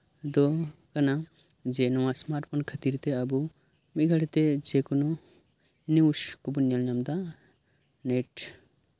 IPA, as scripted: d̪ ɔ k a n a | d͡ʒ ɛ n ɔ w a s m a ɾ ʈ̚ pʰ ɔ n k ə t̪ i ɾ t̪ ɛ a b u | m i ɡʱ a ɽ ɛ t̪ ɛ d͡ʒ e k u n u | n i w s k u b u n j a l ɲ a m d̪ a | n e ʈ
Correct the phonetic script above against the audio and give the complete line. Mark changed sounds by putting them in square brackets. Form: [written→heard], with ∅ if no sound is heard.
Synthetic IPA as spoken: d̪ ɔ k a n a | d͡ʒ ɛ n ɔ w a s m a ɾ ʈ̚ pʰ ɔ n [k→kʰ] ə t̪ i ɾ t̪ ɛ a b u | m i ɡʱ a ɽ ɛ t̪ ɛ d͡ʒ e k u n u | n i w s k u b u n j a l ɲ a m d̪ a | n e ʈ